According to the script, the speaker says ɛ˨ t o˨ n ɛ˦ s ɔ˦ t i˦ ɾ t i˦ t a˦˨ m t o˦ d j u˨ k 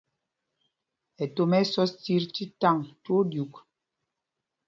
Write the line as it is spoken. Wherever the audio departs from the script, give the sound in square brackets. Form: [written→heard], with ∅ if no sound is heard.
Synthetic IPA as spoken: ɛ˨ t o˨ [n→m] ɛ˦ s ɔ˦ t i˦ ɾ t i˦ t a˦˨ [m→ŋ] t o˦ d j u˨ k